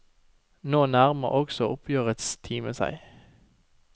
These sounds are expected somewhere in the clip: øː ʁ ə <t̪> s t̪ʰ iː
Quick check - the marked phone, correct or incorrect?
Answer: correct